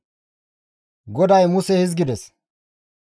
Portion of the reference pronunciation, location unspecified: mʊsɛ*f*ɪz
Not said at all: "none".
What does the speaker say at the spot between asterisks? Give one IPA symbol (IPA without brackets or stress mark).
h